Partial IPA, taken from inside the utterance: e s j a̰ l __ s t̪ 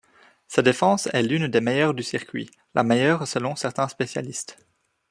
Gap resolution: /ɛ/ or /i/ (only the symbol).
i